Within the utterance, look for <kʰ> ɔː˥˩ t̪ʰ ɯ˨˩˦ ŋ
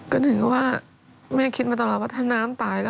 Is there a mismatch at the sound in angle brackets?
yes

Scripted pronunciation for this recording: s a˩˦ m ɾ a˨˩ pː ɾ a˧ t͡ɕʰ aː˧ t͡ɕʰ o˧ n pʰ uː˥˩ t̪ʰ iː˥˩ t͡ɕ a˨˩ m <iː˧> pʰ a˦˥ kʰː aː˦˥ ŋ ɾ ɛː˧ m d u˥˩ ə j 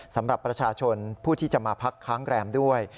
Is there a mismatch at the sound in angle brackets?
yes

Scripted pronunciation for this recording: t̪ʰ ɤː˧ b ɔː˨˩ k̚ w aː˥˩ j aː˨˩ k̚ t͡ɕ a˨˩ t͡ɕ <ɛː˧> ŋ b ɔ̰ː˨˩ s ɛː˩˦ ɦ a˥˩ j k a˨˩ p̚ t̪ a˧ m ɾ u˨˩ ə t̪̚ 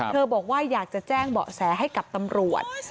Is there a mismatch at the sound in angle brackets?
yes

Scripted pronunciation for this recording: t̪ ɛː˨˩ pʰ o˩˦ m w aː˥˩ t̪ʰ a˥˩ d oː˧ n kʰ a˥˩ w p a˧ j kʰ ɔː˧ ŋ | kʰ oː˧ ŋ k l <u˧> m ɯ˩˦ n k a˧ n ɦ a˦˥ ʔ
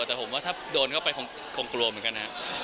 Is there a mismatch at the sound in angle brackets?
no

